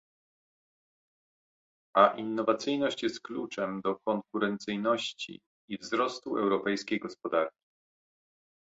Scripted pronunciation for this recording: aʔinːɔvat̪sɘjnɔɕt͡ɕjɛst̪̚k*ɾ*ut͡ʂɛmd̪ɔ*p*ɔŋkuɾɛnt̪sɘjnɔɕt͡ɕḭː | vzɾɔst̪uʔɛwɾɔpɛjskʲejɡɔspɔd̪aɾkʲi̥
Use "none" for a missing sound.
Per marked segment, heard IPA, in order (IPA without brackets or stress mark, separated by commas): l, k